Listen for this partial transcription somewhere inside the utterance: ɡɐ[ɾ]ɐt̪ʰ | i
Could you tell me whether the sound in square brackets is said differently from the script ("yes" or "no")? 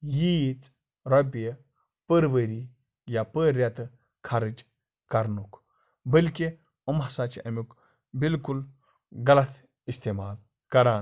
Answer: yes